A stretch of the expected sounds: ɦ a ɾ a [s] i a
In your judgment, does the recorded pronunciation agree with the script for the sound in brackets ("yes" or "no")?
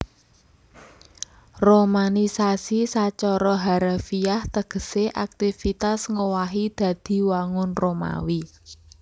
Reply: no